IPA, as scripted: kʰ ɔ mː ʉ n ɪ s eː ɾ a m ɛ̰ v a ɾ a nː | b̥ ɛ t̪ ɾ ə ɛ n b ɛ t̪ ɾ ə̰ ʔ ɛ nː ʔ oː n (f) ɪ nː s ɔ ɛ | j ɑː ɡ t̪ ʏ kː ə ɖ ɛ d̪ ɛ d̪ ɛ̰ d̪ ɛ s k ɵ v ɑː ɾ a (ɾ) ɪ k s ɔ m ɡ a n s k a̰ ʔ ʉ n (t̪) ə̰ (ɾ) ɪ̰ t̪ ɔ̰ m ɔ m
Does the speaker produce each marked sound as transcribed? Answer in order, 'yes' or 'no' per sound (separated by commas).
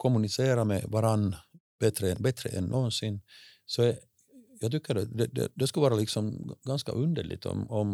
no, no, no, no